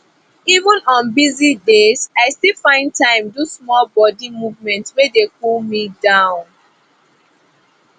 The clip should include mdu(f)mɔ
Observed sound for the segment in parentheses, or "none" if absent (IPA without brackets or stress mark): s